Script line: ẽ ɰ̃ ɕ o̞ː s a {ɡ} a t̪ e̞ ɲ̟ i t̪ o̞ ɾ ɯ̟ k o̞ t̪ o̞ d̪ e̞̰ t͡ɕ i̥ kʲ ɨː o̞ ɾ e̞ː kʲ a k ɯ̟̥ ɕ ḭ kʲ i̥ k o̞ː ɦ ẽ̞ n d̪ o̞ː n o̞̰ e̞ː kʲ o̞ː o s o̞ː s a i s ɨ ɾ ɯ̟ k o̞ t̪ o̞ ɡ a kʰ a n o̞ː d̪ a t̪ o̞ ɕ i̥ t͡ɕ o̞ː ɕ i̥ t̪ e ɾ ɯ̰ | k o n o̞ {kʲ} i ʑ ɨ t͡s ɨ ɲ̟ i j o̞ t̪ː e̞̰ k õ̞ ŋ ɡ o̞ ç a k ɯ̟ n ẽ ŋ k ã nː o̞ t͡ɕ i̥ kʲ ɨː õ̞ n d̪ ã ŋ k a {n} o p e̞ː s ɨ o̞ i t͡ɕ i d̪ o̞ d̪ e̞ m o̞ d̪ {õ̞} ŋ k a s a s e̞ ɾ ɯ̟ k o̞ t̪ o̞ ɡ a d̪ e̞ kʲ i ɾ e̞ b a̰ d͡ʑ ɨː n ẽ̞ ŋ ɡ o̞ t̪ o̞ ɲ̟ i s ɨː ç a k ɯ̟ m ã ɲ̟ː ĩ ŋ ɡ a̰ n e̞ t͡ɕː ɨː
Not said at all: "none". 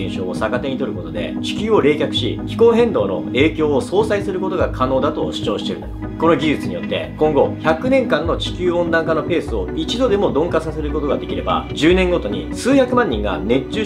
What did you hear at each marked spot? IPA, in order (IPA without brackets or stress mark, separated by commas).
k, ɡʲ, n, õ̞